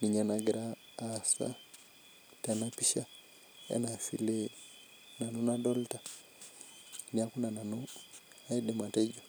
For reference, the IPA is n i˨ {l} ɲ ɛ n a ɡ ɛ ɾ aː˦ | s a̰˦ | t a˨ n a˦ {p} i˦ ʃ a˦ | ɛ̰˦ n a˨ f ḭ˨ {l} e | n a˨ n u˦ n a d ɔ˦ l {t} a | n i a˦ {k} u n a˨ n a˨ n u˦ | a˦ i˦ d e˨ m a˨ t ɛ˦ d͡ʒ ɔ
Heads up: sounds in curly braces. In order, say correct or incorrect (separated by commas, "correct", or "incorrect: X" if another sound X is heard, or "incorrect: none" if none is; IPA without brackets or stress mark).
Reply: incorrect: none, correct, correct, correct, correct